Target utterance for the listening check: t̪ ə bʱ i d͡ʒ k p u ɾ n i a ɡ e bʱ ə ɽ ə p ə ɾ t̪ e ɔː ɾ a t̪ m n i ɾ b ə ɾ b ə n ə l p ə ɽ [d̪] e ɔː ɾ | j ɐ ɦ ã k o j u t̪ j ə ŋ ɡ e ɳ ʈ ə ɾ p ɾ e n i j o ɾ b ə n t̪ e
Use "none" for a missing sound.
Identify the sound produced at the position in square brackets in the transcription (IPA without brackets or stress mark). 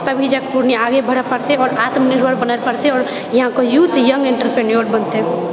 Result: t̪